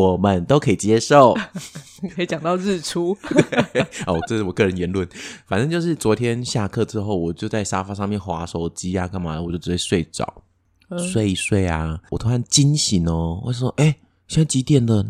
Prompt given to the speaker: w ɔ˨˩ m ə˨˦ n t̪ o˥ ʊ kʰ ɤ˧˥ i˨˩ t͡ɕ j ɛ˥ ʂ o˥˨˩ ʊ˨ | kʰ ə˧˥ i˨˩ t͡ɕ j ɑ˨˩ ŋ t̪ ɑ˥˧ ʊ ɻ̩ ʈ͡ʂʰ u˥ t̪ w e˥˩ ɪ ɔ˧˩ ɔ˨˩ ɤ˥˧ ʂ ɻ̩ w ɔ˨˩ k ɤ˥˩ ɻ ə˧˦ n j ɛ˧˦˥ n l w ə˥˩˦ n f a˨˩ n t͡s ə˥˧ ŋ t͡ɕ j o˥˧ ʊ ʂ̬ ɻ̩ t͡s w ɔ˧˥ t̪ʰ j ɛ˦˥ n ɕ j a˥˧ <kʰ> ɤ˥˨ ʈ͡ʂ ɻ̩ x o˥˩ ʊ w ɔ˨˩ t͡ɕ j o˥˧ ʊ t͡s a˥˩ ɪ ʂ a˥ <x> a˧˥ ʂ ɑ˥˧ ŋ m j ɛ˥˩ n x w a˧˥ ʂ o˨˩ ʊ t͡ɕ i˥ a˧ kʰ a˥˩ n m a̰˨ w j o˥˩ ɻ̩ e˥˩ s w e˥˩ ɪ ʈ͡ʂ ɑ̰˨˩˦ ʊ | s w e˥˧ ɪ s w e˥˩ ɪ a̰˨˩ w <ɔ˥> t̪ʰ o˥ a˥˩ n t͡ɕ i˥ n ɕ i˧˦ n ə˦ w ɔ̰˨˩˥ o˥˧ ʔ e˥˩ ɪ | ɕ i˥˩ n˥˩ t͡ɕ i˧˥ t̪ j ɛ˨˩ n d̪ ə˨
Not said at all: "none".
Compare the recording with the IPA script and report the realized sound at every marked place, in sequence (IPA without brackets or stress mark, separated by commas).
kʰ, f, ɔ˨˩